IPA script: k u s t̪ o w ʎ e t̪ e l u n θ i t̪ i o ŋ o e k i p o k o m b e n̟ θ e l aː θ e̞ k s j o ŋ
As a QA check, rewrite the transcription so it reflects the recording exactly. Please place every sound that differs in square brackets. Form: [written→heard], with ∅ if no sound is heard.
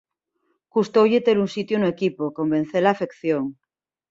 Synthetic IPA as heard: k u s t̪ o w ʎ e t̪ e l u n [θ→s] i t̪ [i→j] o [ŋ→n] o e k i p o k o m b e n̟ θ e l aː [θ→f] e̞ k [s→θ] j o ŋ